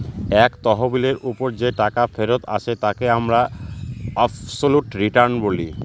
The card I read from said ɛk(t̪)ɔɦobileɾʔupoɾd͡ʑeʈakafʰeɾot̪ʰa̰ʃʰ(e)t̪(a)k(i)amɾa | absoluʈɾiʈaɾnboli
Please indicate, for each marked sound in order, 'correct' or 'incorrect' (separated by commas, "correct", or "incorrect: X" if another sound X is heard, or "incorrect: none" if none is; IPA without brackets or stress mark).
correct, correct, correct, incorrect: e